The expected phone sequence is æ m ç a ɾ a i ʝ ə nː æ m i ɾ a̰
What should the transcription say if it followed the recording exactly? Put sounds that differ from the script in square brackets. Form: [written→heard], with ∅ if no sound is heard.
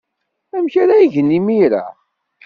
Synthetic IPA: æ m ç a ɾ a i ʝ ə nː [æ→i] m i ɾ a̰

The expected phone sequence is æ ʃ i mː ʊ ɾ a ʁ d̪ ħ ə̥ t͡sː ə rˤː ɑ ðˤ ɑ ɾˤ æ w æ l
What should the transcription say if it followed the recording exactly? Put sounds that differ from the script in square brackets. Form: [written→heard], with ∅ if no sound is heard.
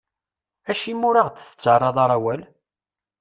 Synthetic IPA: æ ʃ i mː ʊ ɾ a ʁ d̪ [ħ→θ] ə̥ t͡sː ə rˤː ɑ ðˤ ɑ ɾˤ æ w æ l

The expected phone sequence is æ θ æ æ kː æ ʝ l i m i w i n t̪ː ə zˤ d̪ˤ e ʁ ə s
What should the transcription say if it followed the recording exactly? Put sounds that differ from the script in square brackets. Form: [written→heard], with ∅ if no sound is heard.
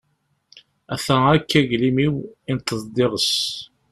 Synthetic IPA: æ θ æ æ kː æ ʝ l i m i w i n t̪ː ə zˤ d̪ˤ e ʁ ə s

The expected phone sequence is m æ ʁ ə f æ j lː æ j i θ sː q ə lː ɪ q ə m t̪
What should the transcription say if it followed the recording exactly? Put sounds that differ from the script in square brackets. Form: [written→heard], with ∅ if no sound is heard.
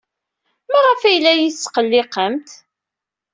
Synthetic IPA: m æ ʁ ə f æ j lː æ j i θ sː q ə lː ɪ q ə m t̪

